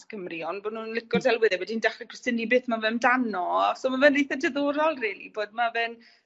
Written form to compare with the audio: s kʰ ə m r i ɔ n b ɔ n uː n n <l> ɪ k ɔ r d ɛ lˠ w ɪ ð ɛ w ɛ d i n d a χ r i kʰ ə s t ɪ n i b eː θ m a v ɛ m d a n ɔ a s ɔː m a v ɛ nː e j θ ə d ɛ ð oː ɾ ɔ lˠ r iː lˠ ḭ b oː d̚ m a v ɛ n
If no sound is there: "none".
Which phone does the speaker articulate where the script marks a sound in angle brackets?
l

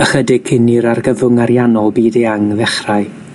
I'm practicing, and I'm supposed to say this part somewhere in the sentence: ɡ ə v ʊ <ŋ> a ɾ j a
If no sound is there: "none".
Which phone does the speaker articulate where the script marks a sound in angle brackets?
ŋ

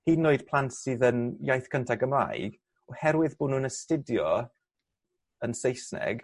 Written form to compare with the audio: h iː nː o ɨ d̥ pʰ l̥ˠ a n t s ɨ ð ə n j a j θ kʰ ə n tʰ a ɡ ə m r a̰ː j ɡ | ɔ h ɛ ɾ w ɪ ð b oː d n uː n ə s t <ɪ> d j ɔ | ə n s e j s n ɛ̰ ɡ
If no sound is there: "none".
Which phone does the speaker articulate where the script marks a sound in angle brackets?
ɪ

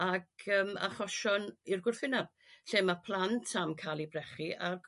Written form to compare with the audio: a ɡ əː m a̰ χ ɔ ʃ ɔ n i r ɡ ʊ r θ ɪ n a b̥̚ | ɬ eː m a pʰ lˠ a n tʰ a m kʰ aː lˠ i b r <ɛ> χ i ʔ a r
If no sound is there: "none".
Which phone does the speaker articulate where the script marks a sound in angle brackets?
ɛ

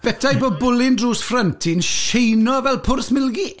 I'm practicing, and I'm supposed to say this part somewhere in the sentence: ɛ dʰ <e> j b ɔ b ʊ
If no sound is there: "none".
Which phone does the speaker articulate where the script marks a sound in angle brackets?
a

